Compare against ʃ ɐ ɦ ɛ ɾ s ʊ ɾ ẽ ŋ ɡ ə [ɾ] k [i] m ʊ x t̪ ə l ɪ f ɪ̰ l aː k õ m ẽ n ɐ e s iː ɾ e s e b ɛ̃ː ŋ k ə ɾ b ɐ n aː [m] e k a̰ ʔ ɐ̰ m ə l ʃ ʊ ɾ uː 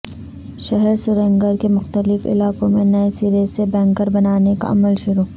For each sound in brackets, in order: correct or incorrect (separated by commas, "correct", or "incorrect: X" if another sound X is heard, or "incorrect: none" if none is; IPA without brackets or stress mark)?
correct, incorrect: e, incorrect: n